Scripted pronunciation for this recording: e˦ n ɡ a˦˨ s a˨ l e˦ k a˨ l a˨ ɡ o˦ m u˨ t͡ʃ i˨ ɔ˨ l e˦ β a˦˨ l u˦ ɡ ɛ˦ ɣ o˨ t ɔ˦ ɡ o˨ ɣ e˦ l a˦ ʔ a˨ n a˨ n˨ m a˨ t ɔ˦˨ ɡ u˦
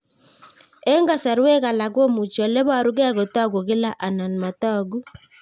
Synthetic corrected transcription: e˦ ŋ ɡ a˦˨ s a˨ ɾ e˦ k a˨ l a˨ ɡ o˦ m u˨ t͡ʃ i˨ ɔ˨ l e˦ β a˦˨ ɾ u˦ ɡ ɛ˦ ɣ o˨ t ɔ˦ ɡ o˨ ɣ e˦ l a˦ ʔ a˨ n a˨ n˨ m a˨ t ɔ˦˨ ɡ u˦